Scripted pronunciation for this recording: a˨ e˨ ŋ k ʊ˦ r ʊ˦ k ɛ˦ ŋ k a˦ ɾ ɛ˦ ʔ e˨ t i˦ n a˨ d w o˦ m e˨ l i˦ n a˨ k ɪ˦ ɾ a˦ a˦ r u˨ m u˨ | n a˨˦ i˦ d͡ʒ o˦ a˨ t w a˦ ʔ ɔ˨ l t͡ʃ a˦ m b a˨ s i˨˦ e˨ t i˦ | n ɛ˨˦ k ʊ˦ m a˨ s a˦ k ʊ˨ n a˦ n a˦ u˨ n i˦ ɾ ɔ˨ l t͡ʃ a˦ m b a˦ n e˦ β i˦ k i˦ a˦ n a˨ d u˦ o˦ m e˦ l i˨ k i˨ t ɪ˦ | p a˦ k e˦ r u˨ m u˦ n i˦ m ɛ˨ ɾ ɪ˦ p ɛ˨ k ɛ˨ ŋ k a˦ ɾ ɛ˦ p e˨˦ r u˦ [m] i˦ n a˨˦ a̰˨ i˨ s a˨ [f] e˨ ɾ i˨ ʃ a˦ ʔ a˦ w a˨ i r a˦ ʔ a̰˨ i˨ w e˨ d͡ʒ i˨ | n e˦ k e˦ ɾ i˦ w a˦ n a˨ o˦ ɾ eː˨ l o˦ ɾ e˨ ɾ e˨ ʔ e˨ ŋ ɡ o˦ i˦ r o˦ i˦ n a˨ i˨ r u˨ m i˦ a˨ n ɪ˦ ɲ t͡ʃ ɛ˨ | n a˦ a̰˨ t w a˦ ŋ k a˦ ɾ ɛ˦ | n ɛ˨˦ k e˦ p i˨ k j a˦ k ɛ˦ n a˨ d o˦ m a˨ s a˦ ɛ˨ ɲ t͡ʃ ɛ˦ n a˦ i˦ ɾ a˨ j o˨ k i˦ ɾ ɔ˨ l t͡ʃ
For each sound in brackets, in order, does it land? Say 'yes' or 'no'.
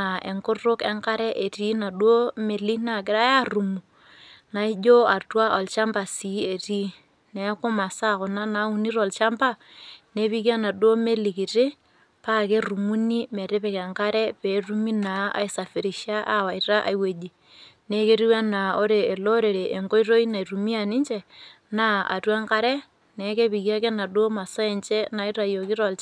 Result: yes, yes

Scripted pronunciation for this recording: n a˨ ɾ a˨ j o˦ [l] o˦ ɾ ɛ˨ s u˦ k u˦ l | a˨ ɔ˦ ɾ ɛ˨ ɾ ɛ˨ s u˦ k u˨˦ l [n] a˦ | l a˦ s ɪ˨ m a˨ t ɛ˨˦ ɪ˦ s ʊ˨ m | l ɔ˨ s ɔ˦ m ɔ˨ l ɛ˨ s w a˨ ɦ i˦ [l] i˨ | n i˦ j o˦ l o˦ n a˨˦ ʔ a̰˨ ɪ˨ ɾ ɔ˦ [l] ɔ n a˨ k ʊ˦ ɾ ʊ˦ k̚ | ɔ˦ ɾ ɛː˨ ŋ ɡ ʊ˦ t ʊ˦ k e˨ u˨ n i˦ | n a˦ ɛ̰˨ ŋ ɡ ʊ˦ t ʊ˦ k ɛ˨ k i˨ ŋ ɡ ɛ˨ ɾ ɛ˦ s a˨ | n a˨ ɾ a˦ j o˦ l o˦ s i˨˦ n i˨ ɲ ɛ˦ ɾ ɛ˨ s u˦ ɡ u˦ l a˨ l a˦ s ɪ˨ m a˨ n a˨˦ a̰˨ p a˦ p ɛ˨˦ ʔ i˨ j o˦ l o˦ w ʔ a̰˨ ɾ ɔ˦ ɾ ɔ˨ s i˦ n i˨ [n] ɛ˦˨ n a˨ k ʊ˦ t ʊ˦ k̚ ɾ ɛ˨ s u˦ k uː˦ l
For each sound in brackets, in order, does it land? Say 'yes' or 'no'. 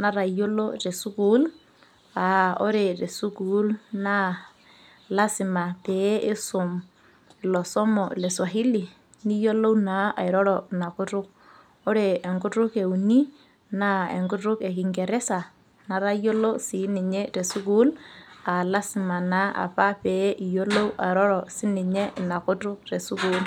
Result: yes, yes, yes, no, no

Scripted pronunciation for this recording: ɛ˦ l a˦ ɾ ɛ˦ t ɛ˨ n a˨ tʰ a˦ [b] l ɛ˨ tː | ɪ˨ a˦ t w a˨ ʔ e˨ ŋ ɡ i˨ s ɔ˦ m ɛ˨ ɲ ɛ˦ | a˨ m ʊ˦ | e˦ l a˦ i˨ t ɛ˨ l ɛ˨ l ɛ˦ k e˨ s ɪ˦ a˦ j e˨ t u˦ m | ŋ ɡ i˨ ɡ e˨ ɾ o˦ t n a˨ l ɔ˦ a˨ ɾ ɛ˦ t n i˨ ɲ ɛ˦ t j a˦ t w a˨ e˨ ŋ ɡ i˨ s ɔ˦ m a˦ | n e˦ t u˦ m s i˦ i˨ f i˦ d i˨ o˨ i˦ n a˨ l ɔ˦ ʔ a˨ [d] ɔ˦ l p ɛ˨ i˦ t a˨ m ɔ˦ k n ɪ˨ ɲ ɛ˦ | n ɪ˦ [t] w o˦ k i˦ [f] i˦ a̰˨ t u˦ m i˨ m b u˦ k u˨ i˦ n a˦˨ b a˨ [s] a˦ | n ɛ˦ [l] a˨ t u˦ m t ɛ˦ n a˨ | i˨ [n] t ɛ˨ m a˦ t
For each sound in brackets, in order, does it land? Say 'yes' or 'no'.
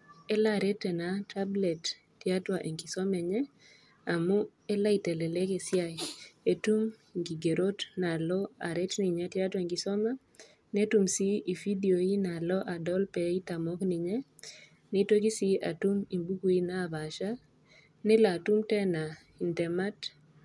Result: yes, yes, yes, no, no, yes, yes

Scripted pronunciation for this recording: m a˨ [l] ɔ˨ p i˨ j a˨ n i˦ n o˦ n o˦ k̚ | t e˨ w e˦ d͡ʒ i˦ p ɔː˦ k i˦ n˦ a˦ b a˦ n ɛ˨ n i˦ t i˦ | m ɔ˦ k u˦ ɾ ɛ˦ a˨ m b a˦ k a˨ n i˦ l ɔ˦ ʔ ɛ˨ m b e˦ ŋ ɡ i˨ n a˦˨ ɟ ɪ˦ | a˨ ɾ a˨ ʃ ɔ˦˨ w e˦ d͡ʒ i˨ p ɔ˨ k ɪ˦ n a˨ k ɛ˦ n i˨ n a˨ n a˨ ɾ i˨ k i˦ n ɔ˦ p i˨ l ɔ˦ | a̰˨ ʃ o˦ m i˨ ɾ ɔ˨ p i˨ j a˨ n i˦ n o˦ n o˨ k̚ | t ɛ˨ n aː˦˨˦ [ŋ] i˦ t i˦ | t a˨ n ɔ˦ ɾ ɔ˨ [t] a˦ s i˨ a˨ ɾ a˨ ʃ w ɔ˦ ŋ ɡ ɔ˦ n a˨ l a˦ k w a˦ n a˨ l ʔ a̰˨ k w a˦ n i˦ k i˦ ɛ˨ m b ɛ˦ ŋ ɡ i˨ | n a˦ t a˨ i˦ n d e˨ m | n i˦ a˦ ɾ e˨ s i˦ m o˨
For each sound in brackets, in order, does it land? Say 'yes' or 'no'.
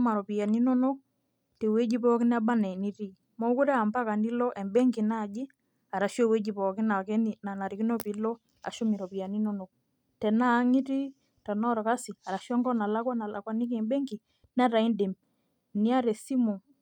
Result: no, yes, no

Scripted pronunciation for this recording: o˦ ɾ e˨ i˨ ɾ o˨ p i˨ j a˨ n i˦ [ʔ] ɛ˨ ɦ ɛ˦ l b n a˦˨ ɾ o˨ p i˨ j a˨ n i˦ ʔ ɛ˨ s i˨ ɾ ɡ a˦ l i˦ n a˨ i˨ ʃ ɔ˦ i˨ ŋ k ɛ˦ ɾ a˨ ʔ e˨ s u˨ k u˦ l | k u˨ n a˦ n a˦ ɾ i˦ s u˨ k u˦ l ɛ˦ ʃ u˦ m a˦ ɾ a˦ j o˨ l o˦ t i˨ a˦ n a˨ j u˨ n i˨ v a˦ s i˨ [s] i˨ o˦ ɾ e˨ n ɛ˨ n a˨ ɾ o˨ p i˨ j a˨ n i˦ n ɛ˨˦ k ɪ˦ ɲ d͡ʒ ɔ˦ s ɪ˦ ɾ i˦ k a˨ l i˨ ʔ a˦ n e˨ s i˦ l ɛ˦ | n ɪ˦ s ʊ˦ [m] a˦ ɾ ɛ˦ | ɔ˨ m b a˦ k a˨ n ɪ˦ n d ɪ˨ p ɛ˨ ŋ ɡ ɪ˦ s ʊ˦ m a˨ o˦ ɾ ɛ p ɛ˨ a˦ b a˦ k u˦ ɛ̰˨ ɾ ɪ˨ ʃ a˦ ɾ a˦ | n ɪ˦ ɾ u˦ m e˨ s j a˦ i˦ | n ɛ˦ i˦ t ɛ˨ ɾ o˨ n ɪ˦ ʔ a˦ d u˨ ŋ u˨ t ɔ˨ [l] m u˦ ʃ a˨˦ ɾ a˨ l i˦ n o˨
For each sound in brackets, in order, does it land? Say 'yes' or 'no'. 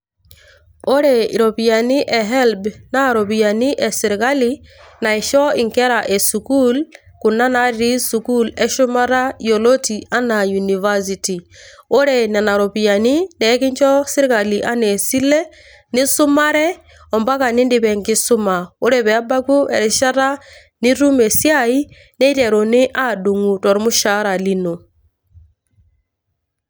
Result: yes, no, yes, no

